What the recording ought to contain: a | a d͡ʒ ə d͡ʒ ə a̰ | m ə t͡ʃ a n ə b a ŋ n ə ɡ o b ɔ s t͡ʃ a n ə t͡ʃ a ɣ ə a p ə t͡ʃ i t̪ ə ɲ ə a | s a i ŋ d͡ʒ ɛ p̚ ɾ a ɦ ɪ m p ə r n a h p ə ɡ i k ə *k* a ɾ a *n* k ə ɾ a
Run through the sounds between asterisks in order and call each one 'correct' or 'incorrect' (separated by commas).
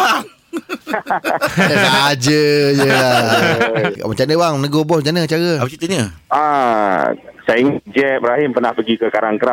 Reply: correct, incorrect